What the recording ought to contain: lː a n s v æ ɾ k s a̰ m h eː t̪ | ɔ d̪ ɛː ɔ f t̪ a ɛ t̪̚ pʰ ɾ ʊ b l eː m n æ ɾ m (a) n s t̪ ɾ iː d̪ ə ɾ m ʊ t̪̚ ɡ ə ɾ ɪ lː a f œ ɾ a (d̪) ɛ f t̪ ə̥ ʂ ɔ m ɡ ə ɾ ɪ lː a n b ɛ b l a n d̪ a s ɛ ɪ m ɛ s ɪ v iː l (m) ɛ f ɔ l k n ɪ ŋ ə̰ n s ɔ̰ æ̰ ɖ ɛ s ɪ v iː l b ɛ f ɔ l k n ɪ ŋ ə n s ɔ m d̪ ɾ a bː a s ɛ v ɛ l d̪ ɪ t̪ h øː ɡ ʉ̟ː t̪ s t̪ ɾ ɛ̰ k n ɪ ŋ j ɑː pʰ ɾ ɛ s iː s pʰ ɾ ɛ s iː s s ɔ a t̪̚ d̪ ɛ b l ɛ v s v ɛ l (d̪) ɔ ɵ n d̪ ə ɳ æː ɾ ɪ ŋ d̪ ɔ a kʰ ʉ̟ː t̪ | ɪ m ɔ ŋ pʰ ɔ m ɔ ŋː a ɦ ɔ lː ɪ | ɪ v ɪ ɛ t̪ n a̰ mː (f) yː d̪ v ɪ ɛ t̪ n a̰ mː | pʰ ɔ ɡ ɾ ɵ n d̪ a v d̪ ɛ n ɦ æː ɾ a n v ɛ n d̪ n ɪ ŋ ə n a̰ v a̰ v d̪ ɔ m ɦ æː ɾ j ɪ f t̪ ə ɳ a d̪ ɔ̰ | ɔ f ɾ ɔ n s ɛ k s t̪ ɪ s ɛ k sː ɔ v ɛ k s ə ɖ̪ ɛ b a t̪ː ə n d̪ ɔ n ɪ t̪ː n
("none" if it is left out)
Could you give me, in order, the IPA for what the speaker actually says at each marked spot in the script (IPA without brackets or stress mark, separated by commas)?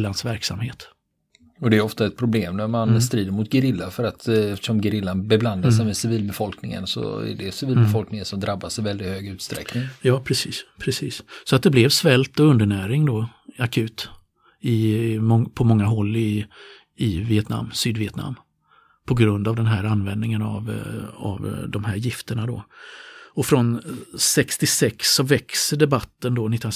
a, t̪, b, t̪, s